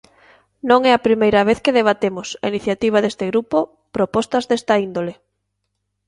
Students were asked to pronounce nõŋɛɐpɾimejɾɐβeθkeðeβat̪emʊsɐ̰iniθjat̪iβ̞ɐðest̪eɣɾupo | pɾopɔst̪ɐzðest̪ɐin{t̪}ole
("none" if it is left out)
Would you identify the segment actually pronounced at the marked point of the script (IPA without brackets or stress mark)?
d̪